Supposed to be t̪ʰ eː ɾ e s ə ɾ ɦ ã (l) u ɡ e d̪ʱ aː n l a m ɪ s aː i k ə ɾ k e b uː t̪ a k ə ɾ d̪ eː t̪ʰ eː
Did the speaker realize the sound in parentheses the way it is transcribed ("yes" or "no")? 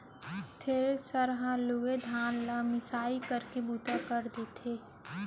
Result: yes